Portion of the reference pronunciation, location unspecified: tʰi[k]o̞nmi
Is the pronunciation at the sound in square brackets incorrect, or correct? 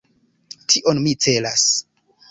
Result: incorrect